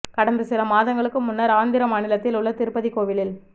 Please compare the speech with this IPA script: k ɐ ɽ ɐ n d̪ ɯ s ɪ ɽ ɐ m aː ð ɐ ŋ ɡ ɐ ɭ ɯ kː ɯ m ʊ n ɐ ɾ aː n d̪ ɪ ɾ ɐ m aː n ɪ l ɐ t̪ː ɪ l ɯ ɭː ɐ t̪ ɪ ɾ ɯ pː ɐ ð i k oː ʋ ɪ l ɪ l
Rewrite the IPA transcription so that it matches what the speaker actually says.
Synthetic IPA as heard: k ɐ ɽ ɐ n d̪ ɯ s ɪ l ɐ m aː ð ɐ ŋ ɡ ɐ ɭ ɯ kː ɯ m ʊ nː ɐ ɾ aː n d̪ ɪ ɾ ɐ m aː n ɪ l ɐ t̪ː ɪ l ʊ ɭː ɐ t̪ ɪ ɾ ɯ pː ɐ ð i k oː ʋ ɪ l ɪ l